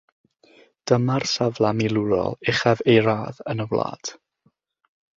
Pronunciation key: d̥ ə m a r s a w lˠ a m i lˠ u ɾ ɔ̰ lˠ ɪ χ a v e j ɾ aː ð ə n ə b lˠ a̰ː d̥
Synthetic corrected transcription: d̥ ə m a r s a v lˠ a m i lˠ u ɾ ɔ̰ lˠ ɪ χ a v e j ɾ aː ð ə n ə w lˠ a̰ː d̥